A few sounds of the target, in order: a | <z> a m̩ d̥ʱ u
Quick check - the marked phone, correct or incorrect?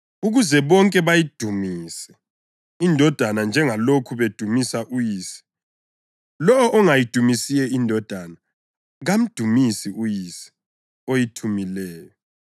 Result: incorrect: ɣ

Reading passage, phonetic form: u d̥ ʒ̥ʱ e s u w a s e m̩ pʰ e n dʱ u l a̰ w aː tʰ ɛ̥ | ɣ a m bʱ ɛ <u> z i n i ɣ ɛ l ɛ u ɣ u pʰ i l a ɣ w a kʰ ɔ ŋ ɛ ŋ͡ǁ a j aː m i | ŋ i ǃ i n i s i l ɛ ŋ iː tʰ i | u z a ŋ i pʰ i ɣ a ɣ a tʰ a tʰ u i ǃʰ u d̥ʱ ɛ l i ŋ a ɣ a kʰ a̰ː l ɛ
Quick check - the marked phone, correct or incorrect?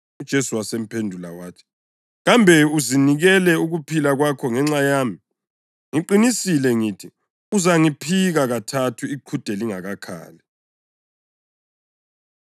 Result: correct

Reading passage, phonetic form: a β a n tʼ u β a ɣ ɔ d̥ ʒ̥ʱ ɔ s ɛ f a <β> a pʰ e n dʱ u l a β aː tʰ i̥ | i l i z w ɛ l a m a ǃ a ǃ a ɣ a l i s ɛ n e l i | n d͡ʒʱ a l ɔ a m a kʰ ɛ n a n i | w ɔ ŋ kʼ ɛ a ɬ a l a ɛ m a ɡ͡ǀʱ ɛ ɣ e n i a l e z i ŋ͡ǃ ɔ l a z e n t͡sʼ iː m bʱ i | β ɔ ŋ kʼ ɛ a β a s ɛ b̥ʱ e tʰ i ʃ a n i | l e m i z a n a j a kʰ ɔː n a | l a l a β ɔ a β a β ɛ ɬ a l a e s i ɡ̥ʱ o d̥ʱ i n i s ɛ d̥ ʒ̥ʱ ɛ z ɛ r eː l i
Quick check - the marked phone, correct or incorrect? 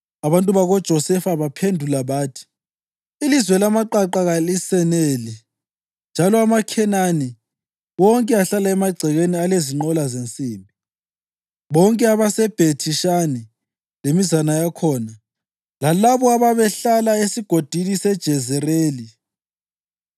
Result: correct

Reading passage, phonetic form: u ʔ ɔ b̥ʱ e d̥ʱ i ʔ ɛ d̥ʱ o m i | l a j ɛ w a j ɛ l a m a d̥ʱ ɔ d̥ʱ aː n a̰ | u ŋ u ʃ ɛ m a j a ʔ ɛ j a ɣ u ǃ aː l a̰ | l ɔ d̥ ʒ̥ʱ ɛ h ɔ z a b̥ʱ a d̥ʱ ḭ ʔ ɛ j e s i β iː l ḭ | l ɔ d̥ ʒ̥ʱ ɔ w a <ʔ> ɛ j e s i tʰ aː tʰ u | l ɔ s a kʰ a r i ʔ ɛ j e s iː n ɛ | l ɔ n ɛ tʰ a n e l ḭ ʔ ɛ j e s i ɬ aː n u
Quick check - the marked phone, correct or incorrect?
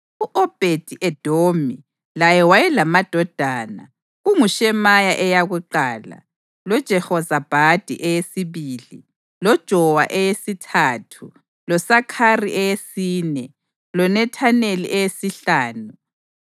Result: correct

